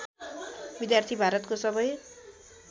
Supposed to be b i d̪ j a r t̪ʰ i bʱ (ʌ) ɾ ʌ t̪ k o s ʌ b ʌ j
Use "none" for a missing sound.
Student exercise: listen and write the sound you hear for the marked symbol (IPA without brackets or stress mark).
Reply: a